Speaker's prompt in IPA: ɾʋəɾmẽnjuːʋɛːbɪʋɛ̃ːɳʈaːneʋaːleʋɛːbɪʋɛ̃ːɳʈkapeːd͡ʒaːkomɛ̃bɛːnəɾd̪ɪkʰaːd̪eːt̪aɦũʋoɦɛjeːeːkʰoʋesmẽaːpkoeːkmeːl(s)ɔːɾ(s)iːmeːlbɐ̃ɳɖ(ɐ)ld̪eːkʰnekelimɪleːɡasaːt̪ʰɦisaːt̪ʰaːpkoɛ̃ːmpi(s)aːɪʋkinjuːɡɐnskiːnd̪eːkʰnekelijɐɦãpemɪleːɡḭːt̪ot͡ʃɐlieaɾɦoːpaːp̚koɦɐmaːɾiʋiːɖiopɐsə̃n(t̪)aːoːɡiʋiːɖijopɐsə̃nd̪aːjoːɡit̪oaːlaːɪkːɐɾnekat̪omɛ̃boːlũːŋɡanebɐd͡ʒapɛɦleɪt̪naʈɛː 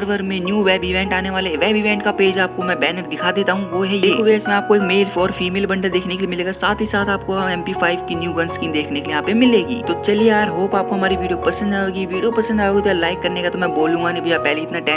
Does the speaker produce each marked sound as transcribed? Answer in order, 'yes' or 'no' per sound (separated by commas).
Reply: no, no, no, no, no